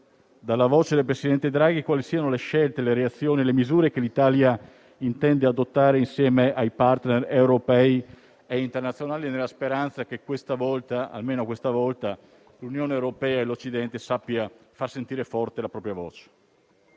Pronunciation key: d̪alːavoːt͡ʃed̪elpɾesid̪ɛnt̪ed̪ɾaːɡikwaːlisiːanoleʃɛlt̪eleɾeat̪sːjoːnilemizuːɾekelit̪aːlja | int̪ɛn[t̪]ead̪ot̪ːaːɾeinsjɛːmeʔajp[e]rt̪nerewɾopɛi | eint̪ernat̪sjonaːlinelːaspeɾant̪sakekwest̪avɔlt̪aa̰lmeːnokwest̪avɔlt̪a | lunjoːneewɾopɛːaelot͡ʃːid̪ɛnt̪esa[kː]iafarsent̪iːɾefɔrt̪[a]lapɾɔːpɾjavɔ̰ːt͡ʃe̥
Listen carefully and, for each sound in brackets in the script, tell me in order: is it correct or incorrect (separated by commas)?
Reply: incorrect, incorrect, incorrect, incorrect